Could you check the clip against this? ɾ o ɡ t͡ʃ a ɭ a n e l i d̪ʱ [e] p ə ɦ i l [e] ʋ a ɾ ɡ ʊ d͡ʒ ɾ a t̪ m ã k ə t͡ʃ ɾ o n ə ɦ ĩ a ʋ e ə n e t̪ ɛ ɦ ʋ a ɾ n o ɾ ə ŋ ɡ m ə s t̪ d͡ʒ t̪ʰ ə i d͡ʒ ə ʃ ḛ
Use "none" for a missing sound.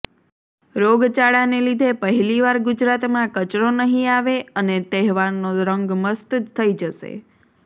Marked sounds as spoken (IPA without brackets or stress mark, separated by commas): e, i